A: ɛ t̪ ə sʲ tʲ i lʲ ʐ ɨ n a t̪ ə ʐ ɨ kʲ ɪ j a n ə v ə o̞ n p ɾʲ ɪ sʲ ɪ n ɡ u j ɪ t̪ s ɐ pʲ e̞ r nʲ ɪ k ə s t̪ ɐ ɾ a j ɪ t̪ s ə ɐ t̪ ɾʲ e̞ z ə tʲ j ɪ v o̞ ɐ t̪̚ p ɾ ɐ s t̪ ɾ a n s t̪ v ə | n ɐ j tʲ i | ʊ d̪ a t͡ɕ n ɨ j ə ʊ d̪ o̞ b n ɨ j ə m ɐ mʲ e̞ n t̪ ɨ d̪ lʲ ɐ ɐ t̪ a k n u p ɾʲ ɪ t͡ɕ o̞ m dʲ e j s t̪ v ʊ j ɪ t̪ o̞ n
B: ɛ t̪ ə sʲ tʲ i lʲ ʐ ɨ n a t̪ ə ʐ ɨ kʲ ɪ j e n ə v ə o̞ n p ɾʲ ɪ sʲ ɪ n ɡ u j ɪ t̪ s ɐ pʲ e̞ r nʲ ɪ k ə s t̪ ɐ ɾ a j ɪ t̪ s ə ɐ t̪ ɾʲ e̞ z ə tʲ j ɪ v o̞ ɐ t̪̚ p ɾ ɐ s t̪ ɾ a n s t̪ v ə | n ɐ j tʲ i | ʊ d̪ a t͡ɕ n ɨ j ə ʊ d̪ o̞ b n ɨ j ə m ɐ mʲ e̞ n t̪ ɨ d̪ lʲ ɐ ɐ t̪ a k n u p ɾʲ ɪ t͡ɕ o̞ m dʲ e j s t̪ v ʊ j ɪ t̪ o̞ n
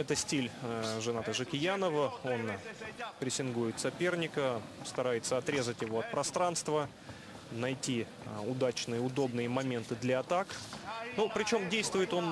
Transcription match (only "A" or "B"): A